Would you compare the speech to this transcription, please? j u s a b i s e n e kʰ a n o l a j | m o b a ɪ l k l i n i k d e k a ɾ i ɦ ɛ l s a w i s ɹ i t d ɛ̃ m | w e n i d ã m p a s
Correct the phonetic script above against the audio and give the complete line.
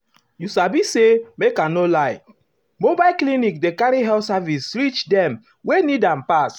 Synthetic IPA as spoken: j u s a b i s e m e k a n o l a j | m o b a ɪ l k l i n i k d e k a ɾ i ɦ ɛ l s a v i s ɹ i t͡ʃ d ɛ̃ m | w e n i d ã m p a s